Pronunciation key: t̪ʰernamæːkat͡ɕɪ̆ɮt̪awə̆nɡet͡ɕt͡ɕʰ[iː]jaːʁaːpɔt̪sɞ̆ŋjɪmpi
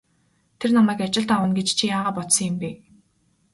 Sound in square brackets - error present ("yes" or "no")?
yes